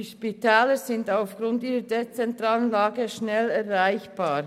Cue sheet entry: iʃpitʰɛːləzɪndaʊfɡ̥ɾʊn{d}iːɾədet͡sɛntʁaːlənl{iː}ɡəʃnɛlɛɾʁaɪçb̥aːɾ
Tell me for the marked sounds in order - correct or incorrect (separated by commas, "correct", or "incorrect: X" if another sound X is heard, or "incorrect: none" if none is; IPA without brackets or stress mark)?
incorrect: t, incorrect: aː